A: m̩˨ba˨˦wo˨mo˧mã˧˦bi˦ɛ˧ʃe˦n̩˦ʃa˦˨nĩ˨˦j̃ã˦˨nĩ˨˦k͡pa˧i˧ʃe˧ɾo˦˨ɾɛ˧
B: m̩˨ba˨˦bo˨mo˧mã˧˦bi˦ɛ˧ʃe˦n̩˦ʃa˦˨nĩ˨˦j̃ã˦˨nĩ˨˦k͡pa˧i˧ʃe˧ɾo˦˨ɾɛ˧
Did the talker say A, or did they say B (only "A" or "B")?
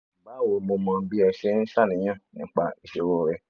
A